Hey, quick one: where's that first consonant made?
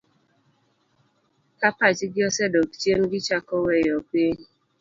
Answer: velum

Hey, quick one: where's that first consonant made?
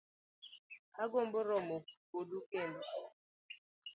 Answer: velum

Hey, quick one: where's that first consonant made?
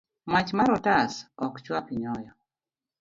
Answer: lips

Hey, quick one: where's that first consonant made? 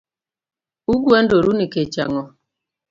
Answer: velum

